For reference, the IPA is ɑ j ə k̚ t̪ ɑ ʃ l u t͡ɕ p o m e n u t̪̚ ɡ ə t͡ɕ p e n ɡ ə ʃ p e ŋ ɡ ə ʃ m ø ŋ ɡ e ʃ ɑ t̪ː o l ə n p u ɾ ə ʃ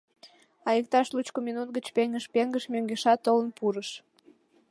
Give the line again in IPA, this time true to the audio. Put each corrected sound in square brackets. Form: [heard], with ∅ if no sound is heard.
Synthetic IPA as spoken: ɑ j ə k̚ t̪ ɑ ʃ l u t͡ɕ [k] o m [i] n u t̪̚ ɡ ə t͡ɕ p e [ŋ] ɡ ə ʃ p e ŋ ɡ ə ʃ m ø ŋ ɡ e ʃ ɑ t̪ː o l ə n p u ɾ ə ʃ